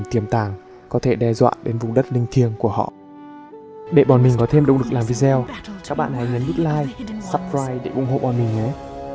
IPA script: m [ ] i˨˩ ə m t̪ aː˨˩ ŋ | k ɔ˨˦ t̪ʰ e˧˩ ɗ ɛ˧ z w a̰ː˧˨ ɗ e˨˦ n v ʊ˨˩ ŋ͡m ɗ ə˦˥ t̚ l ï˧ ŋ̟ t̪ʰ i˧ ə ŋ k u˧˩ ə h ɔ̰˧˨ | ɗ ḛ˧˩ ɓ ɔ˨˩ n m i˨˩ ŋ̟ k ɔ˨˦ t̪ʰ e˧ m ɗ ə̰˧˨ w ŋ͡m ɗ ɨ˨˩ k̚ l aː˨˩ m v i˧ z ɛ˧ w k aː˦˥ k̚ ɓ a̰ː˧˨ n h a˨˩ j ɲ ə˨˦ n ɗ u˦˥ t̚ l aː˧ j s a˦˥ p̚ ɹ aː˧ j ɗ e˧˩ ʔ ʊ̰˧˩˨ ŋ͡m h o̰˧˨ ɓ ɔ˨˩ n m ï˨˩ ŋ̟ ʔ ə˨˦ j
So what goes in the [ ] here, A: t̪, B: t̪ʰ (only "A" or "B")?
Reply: A